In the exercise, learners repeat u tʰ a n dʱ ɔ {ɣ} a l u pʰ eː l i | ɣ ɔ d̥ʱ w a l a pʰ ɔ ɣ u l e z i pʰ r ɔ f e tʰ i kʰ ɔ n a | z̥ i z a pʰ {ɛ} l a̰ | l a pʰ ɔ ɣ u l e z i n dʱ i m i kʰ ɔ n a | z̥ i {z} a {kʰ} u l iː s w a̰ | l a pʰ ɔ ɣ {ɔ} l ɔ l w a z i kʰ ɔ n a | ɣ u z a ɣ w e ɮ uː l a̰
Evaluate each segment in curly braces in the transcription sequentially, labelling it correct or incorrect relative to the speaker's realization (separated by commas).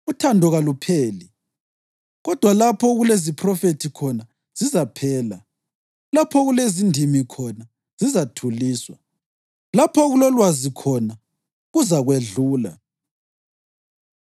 correct, incorrect, correct, incorrect, incorrect